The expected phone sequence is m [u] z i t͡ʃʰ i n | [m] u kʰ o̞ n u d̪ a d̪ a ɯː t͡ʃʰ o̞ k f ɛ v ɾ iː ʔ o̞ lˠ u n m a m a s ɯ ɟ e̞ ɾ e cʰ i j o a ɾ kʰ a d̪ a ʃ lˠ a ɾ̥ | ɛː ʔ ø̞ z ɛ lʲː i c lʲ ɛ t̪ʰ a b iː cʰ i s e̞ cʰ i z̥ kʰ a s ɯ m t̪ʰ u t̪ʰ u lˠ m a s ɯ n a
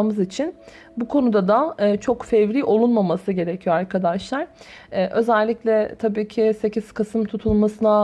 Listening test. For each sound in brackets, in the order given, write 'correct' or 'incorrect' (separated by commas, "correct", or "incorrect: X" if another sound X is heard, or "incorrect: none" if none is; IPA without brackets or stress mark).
incorrect: ɯ, incorrect: b